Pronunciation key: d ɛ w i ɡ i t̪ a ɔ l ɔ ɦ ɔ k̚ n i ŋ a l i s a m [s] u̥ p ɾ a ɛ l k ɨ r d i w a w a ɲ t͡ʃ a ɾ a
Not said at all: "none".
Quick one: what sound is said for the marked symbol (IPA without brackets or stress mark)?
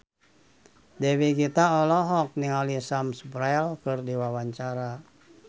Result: s